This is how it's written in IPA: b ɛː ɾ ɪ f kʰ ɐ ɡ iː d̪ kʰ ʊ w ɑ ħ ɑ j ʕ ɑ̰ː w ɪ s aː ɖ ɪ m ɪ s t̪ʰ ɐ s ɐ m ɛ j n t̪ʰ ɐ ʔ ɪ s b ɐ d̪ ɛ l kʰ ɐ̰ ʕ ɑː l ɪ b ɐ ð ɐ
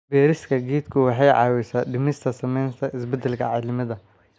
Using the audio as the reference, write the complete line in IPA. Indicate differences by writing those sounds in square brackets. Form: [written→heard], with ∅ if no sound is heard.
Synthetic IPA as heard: b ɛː ɾ ɪ [f→s] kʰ ɐ ɡ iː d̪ kʰ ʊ w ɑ ħ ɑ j ʕ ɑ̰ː w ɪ s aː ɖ ɪ m ɪ s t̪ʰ ɐ s ɐ m ɛ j n t̪ʰ ɐ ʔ ɪ s b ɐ d̪ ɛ l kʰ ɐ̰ ʕ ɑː l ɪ [b→m] ɐ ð ɐ

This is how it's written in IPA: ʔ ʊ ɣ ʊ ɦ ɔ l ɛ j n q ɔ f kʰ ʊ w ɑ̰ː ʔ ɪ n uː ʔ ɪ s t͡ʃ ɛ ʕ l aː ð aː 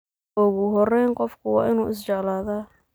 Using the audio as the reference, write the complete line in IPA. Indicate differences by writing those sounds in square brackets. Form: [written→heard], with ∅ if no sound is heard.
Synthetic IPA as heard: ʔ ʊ ɣ ʊ ɦ ɔ [l→r] ɛ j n q ɔ f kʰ ʊ w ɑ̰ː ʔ ɪ n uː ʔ ɪ s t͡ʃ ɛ ʕ l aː ð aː

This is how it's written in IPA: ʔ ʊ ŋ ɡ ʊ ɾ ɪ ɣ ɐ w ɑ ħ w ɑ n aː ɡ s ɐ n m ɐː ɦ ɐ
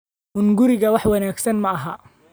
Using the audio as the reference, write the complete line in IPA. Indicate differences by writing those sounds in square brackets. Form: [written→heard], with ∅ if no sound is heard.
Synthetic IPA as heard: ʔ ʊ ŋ ɡ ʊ ɾ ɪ ɣ ɐ w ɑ ħ w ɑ n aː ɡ s ɐ n m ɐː ɦ ɐ

